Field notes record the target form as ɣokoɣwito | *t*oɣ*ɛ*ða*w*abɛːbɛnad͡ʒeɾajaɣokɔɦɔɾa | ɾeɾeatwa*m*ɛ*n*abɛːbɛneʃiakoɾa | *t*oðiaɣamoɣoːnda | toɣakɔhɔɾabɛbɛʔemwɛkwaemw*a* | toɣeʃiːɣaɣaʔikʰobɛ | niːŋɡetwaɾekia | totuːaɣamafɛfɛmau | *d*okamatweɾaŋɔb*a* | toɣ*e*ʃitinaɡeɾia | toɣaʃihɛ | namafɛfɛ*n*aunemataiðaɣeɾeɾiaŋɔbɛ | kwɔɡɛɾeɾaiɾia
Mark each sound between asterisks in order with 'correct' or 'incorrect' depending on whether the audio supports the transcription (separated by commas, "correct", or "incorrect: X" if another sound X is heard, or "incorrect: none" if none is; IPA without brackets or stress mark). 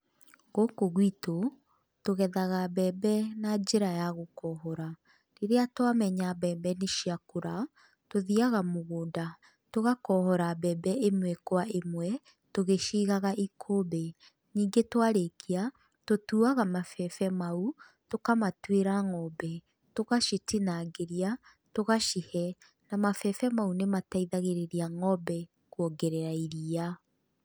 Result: correct, correct, incorrect: ɣ, correct, incorrect: ɲ, correct, incorrect: ɛ, incorrect: t, incorrect: ɛ, incorrect: a, incorrect: m